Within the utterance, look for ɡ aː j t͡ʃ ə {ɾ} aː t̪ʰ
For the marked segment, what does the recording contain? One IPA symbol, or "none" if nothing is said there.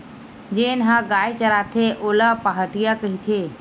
ɾ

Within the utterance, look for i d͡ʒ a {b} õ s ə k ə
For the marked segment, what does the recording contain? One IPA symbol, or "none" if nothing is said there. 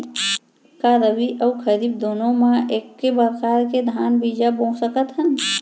b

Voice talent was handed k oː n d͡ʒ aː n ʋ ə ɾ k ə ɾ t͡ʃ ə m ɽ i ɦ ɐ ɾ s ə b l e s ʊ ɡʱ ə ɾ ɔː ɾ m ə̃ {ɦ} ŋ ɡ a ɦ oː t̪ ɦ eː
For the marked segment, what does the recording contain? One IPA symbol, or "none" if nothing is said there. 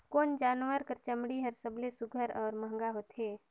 ɦ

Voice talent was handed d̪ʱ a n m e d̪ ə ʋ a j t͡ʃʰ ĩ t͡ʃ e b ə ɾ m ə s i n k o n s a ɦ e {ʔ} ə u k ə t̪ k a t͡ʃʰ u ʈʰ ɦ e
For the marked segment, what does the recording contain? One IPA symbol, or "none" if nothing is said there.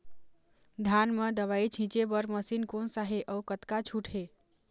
ʔ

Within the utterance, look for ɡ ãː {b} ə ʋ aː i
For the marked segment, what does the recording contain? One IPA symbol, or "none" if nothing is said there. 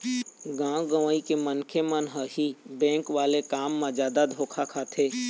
ɡ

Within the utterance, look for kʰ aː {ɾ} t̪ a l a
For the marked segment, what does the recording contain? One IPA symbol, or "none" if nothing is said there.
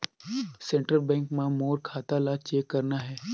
none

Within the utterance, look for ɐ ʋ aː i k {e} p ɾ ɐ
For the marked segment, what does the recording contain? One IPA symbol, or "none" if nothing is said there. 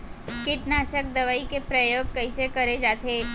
e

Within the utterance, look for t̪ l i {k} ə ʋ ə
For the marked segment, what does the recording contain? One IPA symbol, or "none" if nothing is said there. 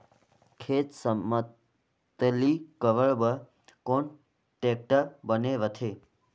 k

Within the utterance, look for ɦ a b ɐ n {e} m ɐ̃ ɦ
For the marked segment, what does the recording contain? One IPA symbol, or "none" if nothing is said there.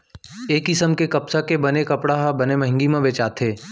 e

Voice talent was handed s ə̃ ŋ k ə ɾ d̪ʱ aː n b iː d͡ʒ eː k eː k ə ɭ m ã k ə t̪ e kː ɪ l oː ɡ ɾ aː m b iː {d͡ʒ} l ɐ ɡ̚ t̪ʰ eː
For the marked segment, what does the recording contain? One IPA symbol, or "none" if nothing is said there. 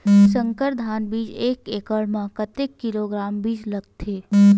d͡ʒ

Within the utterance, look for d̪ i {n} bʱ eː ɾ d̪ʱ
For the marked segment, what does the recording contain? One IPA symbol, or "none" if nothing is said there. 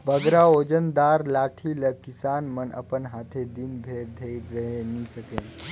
n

